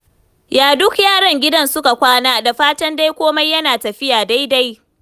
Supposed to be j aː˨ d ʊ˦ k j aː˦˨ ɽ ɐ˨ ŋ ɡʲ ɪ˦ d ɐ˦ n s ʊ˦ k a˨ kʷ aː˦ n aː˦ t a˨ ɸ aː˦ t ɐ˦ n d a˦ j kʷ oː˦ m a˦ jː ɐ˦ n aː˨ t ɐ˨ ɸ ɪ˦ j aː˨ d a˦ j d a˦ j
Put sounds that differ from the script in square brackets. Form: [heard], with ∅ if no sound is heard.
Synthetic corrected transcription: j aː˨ d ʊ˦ k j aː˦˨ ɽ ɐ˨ ŋ ɡʲ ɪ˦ d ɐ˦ n s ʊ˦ k a˨ kʷ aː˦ n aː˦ [d] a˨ ɸ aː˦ t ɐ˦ n d a˦ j kʷ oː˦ m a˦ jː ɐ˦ n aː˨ t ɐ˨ ɸ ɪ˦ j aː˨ d a˦ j d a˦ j